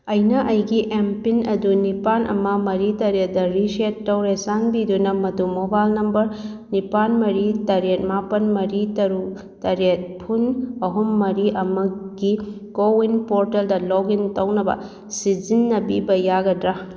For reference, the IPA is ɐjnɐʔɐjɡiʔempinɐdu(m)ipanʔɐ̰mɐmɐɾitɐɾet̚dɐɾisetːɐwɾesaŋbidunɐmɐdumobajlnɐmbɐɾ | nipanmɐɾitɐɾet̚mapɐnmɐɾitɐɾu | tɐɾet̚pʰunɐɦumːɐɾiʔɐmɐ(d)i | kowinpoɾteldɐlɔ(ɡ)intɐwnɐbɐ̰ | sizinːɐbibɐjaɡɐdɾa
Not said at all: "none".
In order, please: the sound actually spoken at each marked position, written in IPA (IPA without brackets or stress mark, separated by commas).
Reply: n, ɡ, ɡ